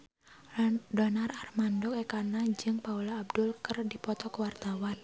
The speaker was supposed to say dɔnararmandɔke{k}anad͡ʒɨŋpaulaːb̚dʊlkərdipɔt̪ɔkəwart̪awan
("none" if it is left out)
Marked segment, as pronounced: k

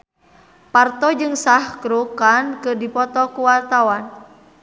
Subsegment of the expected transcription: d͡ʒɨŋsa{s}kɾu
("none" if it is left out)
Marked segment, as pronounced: h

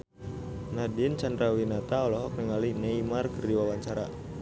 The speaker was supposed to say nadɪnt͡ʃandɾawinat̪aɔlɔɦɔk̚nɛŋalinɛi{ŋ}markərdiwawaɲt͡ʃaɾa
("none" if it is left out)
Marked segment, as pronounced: none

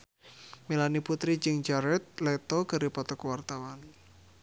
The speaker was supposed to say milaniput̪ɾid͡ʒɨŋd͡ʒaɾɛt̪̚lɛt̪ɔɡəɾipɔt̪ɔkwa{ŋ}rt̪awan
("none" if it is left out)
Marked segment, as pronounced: none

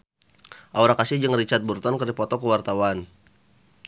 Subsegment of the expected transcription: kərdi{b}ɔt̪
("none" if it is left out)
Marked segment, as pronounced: p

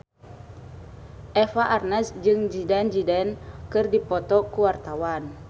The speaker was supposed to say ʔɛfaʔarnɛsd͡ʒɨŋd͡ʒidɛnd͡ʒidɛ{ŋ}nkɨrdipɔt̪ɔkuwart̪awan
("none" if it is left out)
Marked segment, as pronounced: none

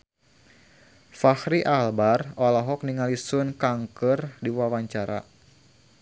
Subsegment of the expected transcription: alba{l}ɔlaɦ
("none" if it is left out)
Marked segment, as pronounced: r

